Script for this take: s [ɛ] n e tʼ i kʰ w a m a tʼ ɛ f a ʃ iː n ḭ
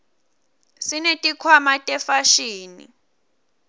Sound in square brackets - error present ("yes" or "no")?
yes